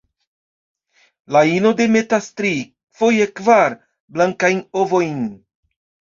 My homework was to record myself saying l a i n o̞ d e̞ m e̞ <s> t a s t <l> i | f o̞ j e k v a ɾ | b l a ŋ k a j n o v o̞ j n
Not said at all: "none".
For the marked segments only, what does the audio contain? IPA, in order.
none, ɾ

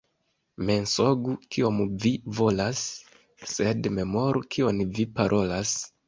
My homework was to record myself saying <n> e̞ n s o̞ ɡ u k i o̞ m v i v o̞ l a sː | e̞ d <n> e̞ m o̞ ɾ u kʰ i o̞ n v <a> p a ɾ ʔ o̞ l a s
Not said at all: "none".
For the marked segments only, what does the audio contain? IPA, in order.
m, m, i

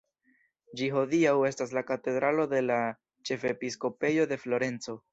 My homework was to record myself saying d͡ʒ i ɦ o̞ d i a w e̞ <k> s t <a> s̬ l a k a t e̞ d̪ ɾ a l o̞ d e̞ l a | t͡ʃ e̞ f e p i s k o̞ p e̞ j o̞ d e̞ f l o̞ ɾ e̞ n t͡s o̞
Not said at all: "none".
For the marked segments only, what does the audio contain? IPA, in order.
none, a

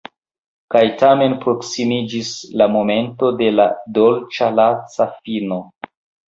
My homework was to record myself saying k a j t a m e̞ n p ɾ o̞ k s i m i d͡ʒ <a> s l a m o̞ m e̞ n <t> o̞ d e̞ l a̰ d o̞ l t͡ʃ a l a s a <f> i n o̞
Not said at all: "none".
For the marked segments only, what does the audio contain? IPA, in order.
i, t, f

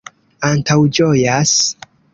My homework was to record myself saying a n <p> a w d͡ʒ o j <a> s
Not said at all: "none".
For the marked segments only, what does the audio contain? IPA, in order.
t, a

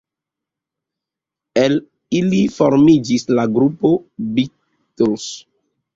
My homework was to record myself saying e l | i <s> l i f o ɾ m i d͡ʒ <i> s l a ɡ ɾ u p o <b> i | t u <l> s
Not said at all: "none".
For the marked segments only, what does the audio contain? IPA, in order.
none, i, b, l

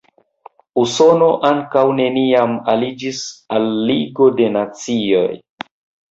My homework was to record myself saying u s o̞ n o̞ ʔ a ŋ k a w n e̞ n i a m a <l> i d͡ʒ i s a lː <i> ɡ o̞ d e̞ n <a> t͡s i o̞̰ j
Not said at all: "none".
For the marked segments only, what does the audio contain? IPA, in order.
l, i, a

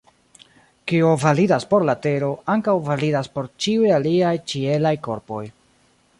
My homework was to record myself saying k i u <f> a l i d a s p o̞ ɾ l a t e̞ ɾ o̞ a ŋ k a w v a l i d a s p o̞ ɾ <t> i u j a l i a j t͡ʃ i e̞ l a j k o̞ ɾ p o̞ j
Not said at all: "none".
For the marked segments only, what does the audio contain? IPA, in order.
v, t͡ʃ

